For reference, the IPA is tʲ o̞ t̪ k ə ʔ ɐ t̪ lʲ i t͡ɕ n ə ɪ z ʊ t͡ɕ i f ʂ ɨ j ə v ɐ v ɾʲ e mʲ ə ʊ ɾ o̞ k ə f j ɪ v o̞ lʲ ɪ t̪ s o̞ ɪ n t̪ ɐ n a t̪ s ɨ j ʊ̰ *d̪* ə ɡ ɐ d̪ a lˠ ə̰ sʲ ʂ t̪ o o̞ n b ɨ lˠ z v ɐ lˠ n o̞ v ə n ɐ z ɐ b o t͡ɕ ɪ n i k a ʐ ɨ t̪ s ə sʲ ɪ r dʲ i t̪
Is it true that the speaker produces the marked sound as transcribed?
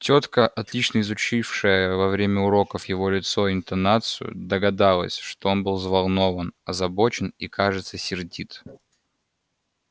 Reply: yes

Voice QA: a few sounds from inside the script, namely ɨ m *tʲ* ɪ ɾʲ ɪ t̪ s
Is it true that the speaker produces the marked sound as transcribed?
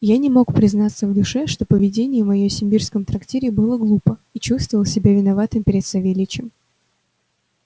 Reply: no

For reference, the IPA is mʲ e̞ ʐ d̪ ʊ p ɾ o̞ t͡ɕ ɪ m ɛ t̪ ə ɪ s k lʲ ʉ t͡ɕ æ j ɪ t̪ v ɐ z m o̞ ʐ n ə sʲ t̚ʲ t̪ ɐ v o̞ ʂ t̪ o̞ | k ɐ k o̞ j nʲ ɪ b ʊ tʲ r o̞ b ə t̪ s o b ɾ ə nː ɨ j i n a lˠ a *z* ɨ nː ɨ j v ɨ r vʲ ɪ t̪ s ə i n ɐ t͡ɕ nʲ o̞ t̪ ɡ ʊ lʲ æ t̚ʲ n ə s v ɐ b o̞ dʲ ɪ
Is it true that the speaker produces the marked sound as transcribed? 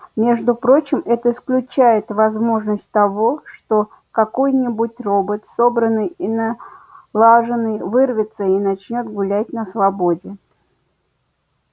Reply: no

